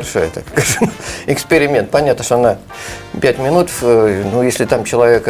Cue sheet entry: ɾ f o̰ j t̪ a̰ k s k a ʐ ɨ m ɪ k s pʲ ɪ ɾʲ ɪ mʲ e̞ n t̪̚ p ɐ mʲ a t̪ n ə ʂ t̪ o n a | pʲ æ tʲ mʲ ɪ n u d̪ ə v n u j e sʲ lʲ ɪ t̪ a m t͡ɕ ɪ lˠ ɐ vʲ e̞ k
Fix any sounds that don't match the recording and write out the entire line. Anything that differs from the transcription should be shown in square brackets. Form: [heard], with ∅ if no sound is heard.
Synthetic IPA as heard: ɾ [ʂ] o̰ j t̪ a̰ k s k a ʐ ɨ m ɪ k s pʲ ɪ ɾʲ ɪ mʲ e̞ n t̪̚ p ɐ [nʲ] a t̪ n ə ʂ t̪ o n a | pʲ æ tʲ mʲ ɪ n u [t̪] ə [f] n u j e sʲ lʲ ɪ t̪ a m t͡ɕ ɪ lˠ ɐ vʲ e̞ k